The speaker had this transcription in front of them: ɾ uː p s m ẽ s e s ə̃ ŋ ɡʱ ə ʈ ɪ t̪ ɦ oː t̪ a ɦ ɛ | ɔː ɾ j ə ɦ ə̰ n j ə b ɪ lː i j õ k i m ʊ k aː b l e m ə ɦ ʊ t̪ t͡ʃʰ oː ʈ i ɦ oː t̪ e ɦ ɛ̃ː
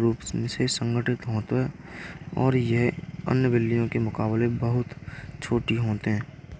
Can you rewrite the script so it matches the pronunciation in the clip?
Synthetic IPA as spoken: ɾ uː p s m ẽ s e s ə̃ ŋ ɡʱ ə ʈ ɪ t̪ ɦ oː t̪ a ɦ ɛ | ɔː ɾ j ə ɦ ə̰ n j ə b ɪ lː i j õ k e m ʊ k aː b l e b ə ɦ ʊ t̪ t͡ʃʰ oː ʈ i ɦ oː t̪ e ɦ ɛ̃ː